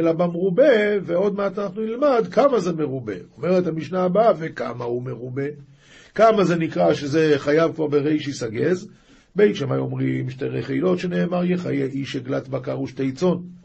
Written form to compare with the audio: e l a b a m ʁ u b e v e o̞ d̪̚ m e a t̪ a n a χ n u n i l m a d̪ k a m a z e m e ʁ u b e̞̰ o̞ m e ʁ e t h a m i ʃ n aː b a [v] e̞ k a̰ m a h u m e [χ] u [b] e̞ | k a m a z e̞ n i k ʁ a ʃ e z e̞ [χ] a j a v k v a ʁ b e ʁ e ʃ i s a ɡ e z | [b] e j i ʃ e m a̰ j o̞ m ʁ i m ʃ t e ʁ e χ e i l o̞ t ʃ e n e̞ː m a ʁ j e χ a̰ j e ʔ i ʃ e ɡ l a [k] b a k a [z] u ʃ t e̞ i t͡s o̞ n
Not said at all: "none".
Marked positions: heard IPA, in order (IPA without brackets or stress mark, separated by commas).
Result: v, ʁ, b, χ, b, t, ʁ